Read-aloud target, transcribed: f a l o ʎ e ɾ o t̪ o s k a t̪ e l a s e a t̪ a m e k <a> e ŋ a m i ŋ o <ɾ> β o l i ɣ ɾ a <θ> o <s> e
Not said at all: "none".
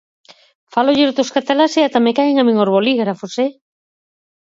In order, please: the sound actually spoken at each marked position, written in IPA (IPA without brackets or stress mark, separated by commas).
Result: a, ɾ, f, s